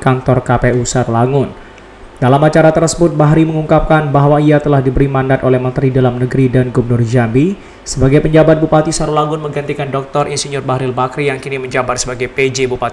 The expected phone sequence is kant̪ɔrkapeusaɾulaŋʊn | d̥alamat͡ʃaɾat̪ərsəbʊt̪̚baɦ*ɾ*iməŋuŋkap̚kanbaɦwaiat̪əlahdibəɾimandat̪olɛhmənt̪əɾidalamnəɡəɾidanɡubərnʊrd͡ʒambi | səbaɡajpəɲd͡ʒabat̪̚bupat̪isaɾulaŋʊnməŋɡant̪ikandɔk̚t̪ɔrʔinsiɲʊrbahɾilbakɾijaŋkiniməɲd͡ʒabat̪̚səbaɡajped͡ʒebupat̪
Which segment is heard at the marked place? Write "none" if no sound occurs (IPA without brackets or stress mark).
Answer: ɾ